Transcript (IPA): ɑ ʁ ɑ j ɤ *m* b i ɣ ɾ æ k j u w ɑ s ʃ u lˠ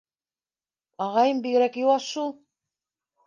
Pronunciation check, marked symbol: correct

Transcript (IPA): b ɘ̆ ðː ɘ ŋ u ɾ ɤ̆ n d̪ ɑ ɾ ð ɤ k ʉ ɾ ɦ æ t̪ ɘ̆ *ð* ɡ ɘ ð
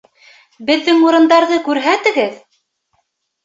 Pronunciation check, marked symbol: incorrect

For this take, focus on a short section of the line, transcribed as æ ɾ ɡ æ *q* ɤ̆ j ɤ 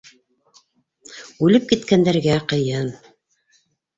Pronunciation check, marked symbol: correct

